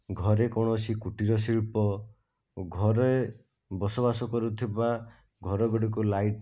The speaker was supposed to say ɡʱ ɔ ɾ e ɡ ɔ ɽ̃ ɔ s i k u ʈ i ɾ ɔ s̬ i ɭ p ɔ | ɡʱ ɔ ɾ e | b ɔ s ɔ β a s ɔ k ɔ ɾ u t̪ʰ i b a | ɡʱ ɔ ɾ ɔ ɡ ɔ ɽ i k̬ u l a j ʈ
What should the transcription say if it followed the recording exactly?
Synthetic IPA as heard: ɡʱ ɔ ɾ e k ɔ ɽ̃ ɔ s i k u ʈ i ɾ ɔ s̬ i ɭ p ɔ | ɡʱ ɔ ɾ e | b ɔ s ɔ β a s ɔ k ɔ ɾ u t̪ʰ i b a | ɡʱ ɔ ɾ ɔ ɡ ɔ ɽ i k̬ u l a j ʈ

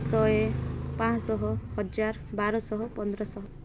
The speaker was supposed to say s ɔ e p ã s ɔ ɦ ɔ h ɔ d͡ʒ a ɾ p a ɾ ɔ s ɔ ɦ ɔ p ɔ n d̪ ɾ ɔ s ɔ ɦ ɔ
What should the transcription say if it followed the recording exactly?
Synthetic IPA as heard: s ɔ e p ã s ɔ ɦ ɔ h ɔ d͡ʒ a ɾ b a ɾ ɔ s ɔ ɦ ɔ p ɔ n d̪ ɾ ɔ s ɔ ɦ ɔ

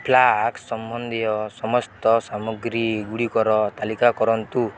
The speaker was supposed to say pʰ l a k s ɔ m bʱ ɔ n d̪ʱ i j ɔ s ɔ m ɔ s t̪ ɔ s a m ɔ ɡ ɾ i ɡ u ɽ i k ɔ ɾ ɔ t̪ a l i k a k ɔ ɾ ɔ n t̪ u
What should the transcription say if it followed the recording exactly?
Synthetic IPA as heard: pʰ l a k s ɔ m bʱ ɔ n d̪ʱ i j ɔ s ɔ m ɔ s t̪ ɔ s a m ɔ ɡ ɾ i ɡ u ɽ i k ɔ ɾ ɔ t̪ a l i k a k ɔ ɾ ɔ n t̪ u

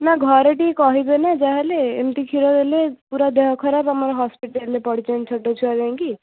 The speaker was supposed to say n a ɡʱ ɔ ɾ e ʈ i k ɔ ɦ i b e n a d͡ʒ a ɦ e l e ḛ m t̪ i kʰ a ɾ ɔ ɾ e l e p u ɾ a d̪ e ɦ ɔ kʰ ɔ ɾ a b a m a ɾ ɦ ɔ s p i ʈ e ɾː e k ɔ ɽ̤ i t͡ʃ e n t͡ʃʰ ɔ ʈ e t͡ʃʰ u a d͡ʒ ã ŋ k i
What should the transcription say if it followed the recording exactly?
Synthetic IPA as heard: n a ɡʱ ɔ ɾ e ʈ i k ɔ ɦ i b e n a d͡ʒ a ɦ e l e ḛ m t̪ i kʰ i ɾ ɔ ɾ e l e p u ɾ a d̪ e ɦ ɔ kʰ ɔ ɾ a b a m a ɾ ɦ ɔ s p i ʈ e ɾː e p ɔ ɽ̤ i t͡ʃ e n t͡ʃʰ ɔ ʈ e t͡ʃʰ u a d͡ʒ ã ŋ k i

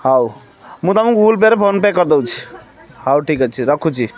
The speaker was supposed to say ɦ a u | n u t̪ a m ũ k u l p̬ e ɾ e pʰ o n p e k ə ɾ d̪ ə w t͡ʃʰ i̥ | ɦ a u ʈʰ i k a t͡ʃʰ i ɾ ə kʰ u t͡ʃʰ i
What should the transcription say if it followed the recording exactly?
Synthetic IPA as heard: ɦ a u | m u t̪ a m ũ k u l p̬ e ɾ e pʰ o n p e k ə ɾ d̪ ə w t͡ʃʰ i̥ | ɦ a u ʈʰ i k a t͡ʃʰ i ɾ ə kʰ u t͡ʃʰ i

